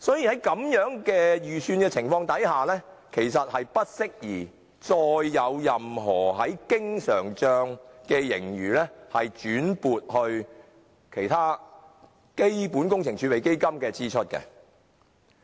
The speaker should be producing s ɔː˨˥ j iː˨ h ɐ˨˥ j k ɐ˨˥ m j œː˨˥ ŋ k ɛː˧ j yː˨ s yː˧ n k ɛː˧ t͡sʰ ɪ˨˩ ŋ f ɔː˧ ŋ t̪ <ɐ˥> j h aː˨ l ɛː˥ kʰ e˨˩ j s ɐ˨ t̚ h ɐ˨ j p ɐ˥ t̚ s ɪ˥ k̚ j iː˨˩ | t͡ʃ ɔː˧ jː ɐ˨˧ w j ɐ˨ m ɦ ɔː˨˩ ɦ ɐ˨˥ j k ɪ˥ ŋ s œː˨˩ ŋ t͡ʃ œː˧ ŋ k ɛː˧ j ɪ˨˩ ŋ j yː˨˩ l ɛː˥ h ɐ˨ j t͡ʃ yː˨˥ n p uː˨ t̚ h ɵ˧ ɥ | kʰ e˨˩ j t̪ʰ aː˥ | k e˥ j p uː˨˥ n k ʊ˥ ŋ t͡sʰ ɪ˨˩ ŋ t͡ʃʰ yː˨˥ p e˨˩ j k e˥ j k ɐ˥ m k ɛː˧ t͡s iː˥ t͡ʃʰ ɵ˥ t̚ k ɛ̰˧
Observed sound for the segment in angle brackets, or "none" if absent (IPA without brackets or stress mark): ɐ˨˥